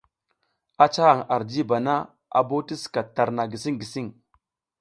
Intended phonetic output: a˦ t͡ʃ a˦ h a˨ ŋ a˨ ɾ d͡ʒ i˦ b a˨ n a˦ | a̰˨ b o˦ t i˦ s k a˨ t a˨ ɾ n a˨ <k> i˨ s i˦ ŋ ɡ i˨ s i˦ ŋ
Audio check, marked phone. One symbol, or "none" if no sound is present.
ɡ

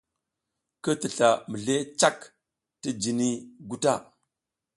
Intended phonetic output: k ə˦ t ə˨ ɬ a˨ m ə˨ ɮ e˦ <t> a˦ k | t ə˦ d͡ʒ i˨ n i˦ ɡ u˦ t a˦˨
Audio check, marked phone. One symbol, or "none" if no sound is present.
t͡ʃ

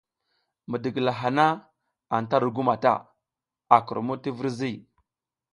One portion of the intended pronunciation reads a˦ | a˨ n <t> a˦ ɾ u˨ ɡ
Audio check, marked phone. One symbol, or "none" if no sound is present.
t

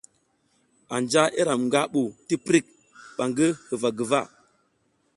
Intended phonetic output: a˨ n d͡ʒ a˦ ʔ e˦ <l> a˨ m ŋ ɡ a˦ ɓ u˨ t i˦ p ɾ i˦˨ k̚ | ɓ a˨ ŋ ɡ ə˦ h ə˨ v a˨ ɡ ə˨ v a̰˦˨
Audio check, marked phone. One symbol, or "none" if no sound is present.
ɾ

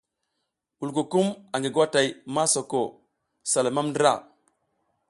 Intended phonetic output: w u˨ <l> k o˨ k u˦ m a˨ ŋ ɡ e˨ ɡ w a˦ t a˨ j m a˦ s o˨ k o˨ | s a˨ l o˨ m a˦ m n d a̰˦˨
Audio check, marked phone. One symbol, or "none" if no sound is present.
l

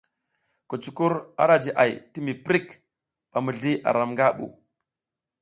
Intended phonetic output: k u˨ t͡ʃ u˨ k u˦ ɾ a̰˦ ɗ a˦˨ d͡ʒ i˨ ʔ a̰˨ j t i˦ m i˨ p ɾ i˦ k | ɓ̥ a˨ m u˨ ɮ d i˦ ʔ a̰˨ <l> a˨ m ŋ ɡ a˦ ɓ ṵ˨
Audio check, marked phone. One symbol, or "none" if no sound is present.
ɾ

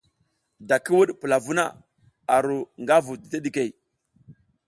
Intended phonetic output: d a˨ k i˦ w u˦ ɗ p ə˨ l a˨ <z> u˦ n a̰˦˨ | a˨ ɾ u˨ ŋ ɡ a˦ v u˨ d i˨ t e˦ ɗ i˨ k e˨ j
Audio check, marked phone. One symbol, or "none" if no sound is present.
v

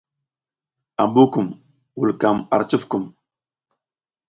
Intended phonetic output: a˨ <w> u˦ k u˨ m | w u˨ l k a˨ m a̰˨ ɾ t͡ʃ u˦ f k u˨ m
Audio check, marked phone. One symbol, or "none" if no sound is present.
b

